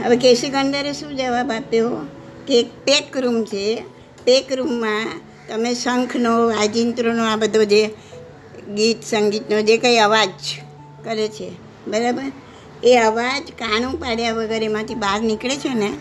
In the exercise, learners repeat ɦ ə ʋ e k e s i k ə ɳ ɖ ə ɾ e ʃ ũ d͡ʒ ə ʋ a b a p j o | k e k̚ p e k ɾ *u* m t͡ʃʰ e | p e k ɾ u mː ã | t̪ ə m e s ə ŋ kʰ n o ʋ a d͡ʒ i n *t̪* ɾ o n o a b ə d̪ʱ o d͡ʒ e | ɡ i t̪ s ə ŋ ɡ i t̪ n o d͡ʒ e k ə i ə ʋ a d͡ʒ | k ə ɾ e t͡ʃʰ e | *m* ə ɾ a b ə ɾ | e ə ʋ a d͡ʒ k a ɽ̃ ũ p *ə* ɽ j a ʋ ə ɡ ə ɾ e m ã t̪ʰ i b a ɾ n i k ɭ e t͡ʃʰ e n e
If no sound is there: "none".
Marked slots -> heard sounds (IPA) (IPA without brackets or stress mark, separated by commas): u, t̪, b, a